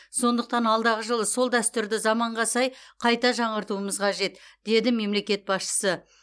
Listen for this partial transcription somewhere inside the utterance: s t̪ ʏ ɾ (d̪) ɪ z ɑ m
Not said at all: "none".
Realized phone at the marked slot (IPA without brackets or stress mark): d̪